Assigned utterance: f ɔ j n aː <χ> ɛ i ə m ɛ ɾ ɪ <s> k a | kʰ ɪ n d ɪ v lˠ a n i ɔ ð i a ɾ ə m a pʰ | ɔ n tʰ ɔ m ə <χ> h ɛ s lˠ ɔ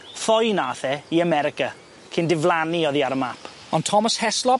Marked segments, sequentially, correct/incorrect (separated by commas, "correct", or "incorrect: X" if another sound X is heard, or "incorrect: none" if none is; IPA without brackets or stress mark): incorrect: θ, incorrect: none, incorrect: s